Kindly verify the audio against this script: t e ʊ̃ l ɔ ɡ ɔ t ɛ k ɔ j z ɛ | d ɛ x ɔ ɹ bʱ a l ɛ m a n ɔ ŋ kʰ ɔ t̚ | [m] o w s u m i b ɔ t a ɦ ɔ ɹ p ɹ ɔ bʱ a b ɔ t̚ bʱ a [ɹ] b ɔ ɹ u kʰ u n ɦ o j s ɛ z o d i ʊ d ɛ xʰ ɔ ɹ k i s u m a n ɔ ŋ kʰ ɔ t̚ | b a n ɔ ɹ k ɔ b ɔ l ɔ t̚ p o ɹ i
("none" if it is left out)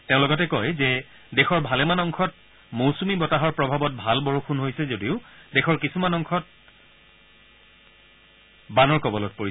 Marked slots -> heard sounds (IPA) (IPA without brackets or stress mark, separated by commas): m, l